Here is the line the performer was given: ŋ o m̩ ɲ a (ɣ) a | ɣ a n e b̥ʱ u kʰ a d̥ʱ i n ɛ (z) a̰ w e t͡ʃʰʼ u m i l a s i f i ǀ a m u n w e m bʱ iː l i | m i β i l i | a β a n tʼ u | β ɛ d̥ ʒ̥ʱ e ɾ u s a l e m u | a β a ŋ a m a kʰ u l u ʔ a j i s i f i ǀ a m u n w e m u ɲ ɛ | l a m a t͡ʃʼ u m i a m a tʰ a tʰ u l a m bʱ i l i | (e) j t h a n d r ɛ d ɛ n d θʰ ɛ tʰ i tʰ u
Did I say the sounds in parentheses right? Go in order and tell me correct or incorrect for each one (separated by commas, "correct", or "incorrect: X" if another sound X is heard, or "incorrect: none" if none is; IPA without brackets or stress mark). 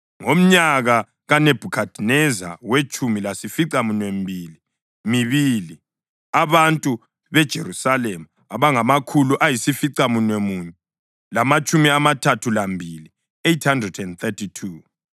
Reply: correct, correct, correct